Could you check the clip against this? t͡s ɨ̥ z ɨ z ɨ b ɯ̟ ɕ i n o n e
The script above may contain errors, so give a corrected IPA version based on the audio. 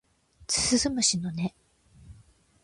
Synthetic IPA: t͡s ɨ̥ s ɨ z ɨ m ɯ̟ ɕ i n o n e